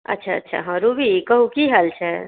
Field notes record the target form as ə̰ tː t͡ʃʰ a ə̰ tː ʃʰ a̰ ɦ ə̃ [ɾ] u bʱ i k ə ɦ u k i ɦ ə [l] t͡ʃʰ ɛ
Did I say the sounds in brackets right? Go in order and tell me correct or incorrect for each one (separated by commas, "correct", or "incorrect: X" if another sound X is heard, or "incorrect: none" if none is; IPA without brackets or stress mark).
correct, correct